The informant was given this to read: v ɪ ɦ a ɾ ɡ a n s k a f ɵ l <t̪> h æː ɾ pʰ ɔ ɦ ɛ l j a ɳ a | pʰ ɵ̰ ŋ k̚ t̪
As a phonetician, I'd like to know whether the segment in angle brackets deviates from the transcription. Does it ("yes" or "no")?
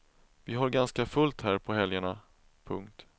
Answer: no